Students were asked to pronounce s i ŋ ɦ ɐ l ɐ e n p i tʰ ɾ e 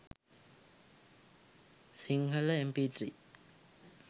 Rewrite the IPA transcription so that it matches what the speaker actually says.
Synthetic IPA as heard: s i ŋ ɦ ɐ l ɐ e m p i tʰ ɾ i